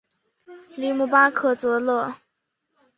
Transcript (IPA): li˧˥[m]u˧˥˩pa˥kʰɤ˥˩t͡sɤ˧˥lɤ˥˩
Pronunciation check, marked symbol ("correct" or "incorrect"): correct